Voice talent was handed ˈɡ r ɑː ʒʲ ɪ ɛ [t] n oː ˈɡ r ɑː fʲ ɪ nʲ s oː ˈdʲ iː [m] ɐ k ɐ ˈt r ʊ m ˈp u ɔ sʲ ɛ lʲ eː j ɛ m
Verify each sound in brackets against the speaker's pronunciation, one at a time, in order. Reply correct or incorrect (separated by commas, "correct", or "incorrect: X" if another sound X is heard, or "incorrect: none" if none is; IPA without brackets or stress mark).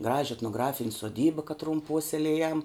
correct, incorrect: b